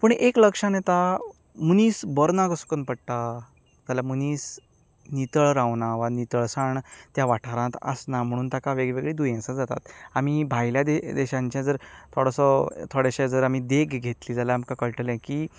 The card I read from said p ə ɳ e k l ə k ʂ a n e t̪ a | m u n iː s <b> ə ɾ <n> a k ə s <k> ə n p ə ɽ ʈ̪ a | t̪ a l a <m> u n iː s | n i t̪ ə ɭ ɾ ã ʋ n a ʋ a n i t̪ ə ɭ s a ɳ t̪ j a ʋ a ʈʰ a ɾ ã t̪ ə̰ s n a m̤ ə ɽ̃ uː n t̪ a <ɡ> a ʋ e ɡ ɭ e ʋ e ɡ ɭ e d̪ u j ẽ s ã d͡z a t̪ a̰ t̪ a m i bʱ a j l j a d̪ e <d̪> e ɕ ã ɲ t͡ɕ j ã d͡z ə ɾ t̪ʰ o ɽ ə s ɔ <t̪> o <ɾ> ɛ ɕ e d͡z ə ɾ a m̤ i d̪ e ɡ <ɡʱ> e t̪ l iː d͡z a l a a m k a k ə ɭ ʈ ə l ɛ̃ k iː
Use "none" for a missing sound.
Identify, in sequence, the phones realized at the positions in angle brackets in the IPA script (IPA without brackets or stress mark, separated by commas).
b, n, k, m, k, d̪, t̪ʰ, ɽ, ɡʱ